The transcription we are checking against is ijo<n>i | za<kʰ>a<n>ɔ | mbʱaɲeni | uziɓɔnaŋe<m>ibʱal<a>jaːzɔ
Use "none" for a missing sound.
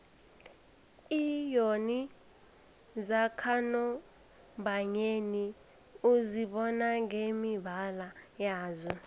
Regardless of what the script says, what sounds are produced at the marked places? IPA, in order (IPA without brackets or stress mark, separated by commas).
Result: n, kʰ, n, m, a